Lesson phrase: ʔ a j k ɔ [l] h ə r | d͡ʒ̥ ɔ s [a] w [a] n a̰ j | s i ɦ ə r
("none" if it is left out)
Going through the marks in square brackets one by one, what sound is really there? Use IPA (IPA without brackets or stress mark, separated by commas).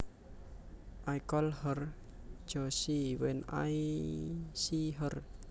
l, i, ɛ